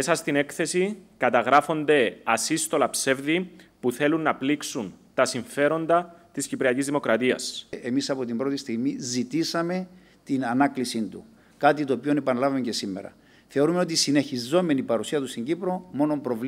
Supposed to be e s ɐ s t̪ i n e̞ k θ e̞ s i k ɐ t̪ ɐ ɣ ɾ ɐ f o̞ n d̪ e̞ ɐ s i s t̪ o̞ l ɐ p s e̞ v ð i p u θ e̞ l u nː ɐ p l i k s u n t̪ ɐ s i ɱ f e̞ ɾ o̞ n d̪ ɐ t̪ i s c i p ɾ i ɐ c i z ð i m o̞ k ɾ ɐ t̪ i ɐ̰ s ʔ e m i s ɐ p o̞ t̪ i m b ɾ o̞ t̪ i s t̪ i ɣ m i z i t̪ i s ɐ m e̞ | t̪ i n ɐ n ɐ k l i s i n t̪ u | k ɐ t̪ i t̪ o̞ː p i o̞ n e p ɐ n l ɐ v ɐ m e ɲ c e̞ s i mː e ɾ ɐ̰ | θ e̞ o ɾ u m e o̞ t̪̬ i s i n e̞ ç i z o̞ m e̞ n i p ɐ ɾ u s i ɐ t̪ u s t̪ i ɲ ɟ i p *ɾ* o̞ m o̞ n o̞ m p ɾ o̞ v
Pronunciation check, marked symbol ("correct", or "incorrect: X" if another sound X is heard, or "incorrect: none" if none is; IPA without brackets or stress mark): correct